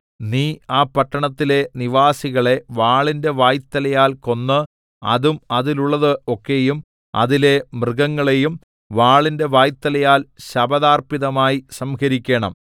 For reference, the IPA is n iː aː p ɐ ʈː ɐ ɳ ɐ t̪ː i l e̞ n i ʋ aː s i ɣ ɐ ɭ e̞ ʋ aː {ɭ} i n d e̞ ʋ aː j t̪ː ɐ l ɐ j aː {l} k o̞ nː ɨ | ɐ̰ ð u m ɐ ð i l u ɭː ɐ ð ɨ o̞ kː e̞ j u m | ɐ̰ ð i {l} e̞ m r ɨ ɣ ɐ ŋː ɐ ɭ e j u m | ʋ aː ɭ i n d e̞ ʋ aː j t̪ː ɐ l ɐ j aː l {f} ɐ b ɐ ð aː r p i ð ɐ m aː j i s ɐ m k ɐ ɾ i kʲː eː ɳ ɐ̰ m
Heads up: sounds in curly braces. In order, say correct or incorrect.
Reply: correct, correct, correct, incorrect

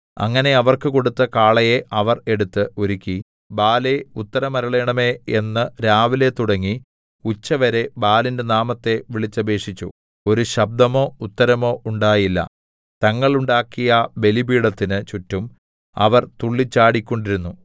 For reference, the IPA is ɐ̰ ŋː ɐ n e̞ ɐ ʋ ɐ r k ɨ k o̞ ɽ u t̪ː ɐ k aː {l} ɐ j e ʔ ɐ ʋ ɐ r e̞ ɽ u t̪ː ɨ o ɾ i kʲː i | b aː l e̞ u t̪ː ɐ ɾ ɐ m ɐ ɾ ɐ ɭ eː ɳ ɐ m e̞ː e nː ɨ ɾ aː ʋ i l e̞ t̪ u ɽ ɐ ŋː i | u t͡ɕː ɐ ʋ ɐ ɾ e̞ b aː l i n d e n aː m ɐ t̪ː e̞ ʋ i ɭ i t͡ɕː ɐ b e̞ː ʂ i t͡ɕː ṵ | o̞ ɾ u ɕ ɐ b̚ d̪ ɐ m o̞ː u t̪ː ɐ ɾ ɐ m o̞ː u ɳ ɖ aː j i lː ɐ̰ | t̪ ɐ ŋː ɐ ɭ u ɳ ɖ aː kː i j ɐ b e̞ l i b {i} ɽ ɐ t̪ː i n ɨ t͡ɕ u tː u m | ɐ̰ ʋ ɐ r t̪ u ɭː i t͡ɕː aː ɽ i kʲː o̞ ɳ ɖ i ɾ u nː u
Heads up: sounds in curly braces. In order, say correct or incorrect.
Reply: incorrect, incorrect

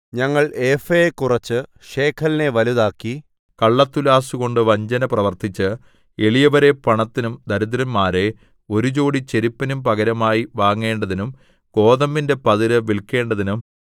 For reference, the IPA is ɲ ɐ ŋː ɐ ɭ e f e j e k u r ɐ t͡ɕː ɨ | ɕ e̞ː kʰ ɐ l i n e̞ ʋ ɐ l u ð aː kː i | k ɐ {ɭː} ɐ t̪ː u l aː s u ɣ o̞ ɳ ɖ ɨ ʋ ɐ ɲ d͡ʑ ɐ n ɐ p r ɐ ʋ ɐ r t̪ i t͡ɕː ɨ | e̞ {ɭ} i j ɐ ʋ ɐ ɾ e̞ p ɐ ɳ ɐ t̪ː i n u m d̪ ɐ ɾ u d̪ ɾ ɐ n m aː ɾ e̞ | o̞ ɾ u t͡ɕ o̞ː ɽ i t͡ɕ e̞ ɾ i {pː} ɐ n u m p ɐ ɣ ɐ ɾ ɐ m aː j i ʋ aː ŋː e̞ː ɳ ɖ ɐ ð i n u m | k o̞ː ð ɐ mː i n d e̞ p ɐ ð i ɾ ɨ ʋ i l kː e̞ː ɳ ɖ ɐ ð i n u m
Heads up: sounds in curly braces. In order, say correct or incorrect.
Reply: correct, correct, correct

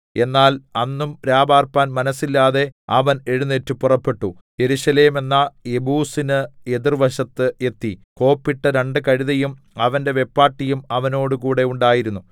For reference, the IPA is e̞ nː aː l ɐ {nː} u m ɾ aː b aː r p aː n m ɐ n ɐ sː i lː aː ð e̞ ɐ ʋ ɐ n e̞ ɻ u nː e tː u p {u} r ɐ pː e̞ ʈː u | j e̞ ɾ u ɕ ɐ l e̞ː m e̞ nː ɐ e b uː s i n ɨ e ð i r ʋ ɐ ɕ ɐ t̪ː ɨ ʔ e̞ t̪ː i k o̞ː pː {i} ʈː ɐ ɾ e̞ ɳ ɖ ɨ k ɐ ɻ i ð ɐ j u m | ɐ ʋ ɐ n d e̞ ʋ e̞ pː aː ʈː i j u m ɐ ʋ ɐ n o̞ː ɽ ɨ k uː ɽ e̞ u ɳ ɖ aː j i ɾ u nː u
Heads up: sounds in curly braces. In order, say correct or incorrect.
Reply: correct, correct, correct

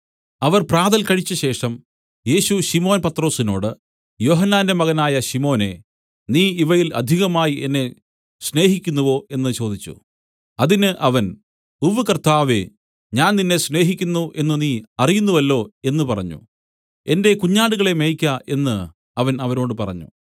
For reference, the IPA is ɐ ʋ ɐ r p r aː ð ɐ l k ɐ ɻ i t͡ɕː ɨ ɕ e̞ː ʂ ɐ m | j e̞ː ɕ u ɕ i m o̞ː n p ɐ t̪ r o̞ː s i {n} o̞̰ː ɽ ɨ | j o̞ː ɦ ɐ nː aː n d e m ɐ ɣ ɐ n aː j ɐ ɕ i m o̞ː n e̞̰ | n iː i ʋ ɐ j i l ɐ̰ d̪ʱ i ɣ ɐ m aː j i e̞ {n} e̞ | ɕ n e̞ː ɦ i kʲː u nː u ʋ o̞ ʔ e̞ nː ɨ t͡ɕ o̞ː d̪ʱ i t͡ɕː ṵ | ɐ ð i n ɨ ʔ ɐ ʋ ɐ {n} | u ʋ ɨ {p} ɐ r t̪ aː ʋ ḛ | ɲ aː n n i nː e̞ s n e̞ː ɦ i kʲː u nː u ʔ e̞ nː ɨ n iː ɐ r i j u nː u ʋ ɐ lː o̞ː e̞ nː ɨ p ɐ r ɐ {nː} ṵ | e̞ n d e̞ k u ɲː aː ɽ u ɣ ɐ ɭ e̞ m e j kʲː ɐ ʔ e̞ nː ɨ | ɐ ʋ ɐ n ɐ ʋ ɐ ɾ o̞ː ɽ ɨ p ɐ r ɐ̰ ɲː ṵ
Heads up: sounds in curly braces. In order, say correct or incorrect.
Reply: correct, incorrect, correct, incorrect, incorrect

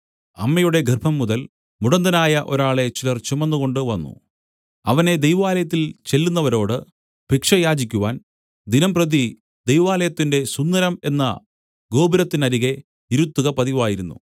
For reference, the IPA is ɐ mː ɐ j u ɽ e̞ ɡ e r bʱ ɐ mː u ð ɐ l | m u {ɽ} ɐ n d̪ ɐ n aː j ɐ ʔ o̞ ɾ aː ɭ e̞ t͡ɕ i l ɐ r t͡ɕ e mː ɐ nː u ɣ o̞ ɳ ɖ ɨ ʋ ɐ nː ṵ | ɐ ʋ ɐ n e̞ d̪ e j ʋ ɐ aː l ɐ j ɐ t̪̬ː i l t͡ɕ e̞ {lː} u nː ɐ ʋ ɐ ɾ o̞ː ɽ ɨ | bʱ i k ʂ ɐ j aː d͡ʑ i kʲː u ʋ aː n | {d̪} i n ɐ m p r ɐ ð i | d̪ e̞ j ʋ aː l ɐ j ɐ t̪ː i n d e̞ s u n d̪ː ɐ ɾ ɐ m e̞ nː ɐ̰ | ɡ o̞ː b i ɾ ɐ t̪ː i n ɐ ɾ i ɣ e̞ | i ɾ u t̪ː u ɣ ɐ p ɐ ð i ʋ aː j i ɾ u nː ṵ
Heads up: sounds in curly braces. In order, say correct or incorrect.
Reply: correct, correct, correct

